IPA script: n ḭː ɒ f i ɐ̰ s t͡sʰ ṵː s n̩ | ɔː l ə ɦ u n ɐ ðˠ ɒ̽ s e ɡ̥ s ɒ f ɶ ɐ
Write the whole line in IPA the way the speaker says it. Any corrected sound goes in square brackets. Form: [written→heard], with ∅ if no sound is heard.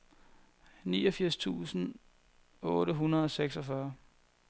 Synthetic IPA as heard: n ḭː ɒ f i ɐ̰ s t͡sʰ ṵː s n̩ | ɔː [l→ɾ] ə ɦ u n ɐ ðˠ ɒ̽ s e ɡ̥ s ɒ f ɶ ɐ